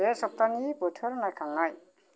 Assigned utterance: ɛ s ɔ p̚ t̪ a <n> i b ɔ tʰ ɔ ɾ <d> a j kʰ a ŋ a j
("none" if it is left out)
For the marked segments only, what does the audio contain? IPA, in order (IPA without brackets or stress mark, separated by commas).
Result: n, n